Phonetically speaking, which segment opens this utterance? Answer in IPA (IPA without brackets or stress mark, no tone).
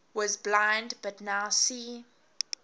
w